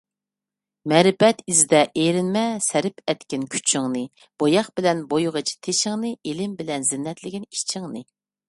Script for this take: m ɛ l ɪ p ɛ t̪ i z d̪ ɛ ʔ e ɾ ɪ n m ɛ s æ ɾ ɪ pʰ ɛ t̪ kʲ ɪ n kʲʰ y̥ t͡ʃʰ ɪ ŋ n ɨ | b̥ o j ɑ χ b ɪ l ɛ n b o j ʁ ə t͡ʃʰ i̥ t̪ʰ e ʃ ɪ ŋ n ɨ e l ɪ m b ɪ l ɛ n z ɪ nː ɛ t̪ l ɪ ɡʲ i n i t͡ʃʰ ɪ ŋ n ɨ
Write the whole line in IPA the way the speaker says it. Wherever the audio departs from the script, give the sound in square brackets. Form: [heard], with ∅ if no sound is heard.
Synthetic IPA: m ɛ [ɾ] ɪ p ɛ t̪ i z d̪ ɛ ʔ e ɾ ɪ n m ɛ s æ ɾ ɪ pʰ ɛ t̪ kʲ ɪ n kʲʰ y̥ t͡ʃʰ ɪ ŋ n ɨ | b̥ o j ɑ χ b ɪ l ɛ n b o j ʁ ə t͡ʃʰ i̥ t̪ʰ e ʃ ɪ ŋ n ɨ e l ɪ m b ɪ l ɛ n z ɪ nː ɛ t̪ l ɪ ɡʲ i n i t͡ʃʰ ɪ ŋ n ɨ